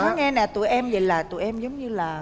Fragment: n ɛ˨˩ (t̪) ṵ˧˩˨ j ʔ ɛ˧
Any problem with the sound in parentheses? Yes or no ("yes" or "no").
no